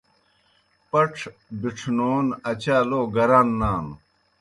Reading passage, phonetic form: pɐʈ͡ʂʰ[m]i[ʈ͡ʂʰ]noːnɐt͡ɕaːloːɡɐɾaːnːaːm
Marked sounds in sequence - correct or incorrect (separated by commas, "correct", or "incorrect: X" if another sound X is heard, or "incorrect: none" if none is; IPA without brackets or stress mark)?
incorrect: b, correct